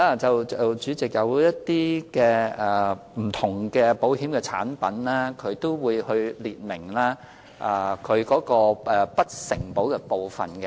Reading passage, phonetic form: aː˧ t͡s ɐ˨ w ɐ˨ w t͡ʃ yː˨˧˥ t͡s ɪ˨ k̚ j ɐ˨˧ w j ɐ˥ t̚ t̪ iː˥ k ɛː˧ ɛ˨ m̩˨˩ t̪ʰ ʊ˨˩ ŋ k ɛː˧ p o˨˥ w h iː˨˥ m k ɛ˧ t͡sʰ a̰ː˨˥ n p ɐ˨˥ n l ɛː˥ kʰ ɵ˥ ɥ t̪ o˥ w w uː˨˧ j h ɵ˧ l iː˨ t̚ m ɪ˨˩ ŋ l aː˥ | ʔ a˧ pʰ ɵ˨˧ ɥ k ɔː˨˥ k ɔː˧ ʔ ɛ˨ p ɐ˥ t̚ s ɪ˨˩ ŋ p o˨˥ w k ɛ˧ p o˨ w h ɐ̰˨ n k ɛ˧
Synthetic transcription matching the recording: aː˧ t͡s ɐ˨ w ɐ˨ w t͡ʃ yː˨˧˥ t͡s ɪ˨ k̚ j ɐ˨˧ w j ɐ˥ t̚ t̪ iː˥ k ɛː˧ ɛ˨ m̩˨˩ t̪ʰ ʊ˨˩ ŋ k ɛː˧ p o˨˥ w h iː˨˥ m k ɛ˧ t͡sʰ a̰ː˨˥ n p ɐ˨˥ n l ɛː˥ kʰ ɵ˨˧ ɥ t̪ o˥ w w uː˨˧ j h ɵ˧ l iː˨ t̚ m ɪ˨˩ ŋ l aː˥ | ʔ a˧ kʰ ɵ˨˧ ɥ k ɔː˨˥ k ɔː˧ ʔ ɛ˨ p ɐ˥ t̚ s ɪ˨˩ ŋ p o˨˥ w k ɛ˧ p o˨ w f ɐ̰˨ n k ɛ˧